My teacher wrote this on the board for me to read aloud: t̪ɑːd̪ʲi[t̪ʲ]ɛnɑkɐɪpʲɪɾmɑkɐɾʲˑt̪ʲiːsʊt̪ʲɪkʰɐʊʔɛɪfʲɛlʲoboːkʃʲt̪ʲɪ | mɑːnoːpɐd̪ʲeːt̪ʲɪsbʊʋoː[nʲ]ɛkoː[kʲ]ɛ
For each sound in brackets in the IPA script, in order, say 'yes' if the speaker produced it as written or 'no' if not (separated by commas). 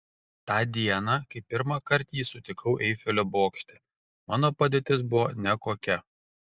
no, yes, yes